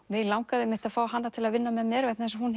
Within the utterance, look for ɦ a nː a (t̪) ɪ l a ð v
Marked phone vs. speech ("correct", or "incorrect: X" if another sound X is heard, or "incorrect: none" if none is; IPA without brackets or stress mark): incorrect: t̪ʰ